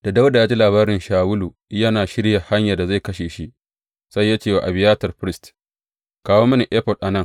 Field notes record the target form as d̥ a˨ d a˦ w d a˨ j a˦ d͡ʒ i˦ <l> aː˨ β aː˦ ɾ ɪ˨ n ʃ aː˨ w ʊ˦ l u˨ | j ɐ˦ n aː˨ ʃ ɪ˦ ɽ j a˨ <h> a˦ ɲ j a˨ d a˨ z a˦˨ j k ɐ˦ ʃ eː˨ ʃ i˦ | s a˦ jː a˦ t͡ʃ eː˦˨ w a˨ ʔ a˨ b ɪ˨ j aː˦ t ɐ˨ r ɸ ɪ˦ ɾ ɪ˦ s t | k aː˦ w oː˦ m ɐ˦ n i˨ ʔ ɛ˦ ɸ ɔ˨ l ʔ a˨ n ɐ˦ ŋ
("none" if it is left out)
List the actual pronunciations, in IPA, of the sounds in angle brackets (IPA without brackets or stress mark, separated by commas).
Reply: l, h